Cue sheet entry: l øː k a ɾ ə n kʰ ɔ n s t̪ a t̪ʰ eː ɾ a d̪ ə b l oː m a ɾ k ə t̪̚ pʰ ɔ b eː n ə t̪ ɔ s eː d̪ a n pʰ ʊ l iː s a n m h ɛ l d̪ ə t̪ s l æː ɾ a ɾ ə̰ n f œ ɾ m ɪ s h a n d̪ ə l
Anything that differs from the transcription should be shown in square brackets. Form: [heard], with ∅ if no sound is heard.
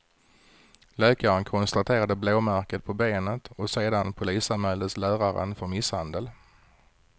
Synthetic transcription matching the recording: l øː k a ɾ ə n kʰ ɔ n s t̪ a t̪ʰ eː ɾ a d̪ ə b l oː m [æ] ɾ k ə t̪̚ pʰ ɔ b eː n ə t̪ ɔ s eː d̪ a n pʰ ʊ l iː s a n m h ɛ l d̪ ə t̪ s l æː ɾ a ɾ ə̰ n f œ ɾ m ɪ s h a n d̪ ə l